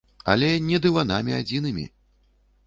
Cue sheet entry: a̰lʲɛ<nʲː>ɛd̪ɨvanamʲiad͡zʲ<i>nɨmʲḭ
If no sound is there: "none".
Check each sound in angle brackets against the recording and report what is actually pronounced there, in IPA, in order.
nʲ, i

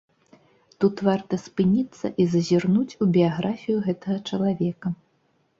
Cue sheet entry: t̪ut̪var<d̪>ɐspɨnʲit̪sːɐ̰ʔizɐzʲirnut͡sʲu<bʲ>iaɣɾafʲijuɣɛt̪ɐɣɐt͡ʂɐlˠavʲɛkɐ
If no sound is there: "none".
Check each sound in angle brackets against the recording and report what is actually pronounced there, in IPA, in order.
t̪, bʲ

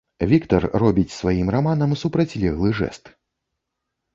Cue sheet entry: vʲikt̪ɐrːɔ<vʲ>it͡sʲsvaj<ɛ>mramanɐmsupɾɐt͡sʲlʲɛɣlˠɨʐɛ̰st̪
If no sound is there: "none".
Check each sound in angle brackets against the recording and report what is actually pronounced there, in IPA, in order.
bʲ, i

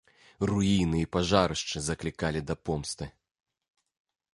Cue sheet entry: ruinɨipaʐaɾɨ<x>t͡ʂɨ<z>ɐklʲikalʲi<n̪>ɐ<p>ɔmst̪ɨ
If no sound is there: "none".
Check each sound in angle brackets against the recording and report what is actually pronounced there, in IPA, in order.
ʂ, z, d̪, p

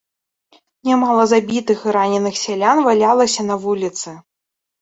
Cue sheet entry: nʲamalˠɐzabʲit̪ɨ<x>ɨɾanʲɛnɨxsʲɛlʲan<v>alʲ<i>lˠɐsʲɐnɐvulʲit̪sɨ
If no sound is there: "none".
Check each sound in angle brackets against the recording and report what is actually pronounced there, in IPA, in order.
x, v, a

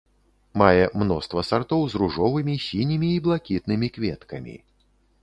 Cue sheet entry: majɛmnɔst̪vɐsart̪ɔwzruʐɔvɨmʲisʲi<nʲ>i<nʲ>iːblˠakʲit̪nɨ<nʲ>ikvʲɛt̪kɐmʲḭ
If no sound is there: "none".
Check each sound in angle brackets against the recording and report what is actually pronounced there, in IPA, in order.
nʲ, mʲ, mʲ

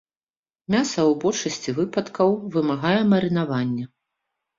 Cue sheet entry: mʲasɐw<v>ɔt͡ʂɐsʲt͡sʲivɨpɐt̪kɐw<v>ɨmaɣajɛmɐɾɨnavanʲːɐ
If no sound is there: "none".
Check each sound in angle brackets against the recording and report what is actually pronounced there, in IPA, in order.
b, v

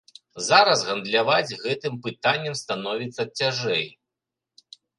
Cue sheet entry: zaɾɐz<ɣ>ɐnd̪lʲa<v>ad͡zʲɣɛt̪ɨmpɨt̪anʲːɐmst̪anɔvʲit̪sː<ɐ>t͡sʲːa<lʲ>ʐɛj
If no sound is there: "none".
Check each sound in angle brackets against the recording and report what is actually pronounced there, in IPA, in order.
ɣ, v, ɐ, none

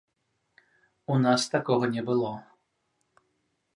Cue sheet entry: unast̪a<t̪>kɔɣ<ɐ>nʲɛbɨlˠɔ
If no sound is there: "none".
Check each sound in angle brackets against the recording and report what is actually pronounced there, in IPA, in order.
none, ɐ

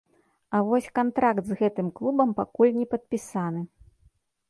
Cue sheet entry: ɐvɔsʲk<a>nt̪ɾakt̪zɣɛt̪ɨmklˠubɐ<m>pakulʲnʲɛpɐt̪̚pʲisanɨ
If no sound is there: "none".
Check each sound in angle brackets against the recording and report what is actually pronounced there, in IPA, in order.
a, m

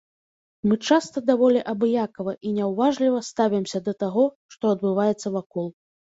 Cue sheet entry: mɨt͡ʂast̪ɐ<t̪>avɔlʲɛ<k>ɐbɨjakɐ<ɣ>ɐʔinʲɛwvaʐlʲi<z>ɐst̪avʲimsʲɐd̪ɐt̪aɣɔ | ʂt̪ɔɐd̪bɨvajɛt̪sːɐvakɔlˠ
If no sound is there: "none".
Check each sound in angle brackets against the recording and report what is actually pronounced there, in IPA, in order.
d̪, ʔ, v, v

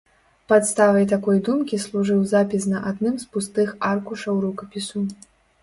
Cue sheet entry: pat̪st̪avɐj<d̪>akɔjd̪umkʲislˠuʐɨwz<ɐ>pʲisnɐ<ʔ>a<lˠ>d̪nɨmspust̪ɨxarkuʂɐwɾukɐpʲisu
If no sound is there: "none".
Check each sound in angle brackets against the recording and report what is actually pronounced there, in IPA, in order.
t̪, a, ʔ, none

